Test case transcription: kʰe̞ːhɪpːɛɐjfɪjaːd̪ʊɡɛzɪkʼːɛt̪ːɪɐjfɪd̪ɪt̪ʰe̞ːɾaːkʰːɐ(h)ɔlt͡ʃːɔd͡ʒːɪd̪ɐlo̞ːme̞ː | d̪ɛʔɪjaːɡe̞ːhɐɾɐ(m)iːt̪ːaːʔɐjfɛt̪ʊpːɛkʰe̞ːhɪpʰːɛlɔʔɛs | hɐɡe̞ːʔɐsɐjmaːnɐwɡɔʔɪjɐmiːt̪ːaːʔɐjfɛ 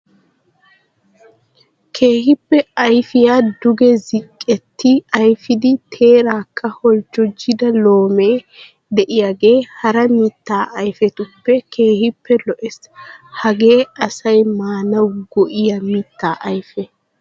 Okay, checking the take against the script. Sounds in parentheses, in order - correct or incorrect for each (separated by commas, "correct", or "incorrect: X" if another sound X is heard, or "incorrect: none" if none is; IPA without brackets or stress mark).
correct, correct